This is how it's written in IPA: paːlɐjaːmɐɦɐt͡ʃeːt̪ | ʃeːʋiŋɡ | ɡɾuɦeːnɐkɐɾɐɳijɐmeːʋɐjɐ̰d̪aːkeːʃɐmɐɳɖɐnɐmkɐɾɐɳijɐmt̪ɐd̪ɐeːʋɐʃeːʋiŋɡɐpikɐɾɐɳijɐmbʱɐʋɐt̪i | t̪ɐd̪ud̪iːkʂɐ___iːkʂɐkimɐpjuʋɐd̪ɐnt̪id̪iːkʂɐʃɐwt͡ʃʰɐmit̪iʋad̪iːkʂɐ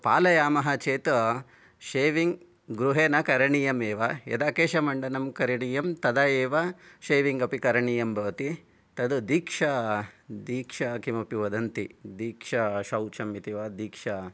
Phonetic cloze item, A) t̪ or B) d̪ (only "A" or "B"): B